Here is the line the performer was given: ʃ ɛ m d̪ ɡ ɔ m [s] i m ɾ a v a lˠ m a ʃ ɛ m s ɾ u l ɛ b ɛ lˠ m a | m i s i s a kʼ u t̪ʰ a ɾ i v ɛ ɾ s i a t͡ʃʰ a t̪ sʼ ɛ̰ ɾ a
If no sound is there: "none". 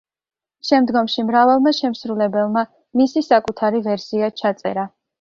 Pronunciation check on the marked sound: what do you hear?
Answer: ʃ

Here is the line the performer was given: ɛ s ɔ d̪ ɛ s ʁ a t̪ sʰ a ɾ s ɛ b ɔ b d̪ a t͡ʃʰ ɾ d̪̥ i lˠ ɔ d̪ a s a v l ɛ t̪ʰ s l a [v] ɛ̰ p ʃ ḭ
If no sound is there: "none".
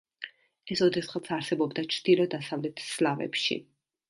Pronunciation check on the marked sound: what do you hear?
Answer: v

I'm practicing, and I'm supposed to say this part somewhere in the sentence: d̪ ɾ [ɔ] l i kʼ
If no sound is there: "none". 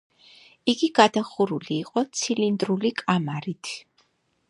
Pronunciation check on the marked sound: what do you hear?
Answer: u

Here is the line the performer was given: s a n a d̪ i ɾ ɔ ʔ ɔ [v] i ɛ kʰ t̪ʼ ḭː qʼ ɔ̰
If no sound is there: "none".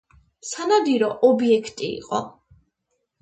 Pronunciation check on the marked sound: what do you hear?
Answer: b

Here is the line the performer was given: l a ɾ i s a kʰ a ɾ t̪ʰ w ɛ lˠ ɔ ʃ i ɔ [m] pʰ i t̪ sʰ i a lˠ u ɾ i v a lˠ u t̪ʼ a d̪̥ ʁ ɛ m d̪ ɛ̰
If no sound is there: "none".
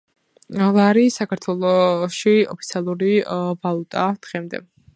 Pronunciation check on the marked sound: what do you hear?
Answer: none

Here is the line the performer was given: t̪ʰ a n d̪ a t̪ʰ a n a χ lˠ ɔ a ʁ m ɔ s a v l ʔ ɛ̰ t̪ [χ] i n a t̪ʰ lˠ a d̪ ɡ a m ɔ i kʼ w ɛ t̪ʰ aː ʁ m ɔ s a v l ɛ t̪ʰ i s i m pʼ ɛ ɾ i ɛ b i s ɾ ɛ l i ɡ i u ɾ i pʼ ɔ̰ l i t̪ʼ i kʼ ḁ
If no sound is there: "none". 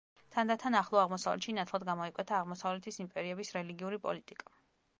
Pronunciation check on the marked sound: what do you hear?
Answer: ʃ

